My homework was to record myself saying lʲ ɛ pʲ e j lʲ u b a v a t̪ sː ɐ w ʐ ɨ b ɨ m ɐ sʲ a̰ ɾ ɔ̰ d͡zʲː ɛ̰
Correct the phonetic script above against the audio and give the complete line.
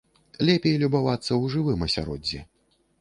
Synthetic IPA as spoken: lʲ ɛ pʲ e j lʲ u b a v a t̪ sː ɐ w ʐ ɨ v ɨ m ɐ sʲ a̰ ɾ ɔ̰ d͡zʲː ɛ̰